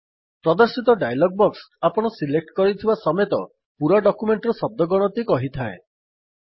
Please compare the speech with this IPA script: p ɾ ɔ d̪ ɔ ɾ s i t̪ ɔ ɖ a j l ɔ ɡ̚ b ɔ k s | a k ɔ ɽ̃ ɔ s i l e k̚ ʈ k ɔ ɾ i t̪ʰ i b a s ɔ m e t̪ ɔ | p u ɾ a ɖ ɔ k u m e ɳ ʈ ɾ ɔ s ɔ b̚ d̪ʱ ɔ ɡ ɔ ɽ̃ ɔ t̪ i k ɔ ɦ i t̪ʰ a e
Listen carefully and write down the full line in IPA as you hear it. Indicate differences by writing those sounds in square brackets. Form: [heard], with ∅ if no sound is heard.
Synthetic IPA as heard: p ɾ ɔ d̪ ɔ ɾ s i t̪ ɔ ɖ a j l ɔ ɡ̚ b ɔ k s | a [p] ɔ ɽ̃ ɔ s i l e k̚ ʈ k ɔ ɾ i t̪ʰ i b a s ɔ m e t̪ ɔ | p u ɾ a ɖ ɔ k u m e ɳ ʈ ɾ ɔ s ɔ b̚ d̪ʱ ɔ ɡ ɔ ɽ̃ ɔ t̪ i k ɔ ɦ i t̪ʰ a e